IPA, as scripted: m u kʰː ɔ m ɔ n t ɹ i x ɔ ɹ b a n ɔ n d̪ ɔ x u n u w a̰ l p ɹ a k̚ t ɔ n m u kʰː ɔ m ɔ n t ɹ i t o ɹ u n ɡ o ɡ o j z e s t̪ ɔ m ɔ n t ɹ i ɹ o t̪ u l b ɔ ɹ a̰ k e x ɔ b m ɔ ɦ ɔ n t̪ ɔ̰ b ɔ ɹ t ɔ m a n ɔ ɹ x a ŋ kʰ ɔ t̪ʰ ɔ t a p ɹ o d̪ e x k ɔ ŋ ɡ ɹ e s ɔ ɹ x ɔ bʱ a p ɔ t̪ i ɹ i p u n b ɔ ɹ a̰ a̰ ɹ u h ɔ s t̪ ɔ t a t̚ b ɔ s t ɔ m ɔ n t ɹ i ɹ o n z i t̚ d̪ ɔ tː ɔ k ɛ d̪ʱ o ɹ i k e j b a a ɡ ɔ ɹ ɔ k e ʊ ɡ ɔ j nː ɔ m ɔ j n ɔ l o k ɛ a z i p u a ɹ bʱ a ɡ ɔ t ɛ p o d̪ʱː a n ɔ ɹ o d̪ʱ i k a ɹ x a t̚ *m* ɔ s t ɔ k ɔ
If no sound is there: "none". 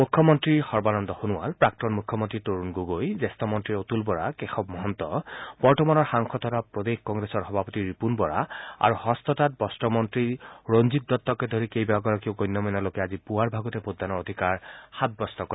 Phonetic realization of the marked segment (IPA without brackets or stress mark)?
b